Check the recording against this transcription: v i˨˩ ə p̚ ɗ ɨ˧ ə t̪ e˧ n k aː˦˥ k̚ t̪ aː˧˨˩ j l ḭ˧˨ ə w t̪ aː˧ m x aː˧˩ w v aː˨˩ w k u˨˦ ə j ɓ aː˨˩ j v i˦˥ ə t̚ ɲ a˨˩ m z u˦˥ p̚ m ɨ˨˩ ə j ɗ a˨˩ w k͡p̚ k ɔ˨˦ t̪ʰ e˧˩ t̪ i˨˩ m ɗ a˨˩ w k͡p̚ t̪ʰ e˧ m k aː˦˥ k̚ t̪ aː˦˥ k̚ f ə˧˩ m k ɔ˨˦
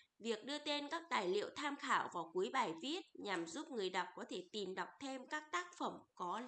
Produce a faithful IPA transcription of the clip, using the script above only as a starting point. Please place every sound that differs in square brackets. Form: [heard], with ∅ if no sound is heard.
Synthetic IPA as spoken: v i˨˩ ə [k̚] ɗ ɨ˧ ə t̪ e˧ n k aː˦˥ k̚ t̪ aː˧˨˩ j l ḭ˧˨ ə w [t̪ʰ] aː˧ m x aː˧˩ w v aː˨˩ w k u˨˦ ə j ɓ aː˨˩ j v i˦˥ ə t̚ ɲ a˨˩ m z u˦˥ p̚ [ŋ] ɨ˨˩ ə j ɗ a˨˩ w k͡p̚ k ɔ˨˦ t̪ʰ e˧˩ t̪ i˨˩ m ɗ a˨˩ w k͡p̚ t̪ʰ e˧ m k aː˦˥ k̚ t̪ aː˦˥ k̚ f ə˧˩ m k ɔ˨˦